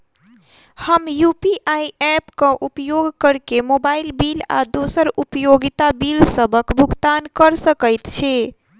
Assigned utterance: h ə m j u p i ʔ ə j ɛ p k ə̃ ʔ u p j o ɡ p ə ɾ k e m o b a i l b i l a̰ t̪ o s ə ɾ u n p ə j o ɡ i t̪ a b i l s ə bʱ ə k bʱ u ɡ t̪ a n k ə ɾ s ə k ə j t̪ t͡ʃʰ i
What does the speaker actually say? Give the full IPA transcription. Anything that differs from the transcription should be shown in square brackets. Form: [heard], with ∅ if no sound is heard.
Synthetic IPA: h ə m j u p i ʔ [a] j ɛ p k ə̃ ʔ u p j o ɡ [k] ə ɾ k e m o b a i l b i l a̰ [d̪] o s ə ɾ u [∅] p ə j o ɡ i t̪ a b i l s ə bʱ ə k bʱ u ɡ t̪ a n k ə ɾ s ə k ə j t̪ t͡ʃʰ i